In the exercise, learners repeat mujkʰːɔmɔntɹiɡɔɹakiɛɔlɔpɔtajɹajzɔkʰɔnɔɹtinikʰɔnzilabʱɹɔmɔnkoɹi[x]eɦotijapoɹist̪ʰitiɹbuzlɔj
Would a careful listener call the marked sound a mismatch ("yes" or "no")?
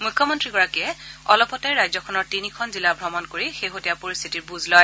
no